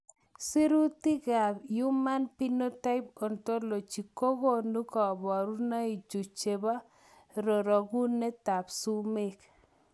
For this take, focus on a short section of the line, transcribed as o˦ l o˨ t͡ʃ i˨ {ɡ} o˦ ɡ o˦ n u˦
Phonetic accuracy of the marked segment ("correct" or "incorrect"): incorrect